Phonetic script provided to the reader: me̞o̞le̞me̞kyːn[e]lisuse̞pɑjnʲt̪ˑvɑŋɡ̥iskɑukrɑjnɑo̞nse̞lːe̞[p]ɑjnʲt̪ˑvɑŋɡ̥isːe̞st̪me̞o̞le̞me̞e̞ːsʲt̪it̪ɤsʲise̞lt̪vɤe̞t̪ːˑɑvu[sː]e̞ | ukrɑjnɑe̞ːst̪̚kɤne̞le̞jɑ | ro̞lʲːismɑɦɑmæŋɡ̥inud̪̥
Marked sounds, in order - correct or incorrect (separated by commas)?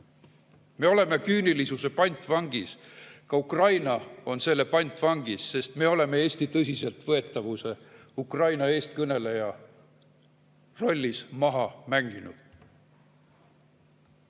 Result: incorrect, correct, incorrect